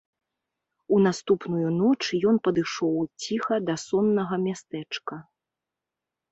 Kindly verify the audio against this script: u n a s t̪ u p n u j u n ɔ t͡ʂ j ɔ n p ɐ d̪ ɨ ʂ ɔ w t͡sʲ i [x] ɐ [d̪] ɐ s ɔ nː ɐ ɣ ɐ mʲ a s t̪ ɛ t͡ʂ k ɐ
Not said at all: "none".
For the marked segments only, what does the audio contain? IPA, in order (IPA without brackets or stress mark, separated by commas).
x, d̪